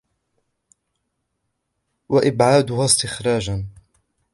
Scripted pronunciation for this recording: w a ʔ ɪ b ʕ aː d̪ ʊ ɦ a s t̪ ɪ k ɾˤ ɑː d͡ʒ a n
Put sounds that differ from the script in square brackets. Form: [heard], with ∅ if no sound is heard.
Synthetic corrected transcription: w a ʔ ɪ b ʕ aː d̪ ʊ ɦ a s t̪ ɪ [x] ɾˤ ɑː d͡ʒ a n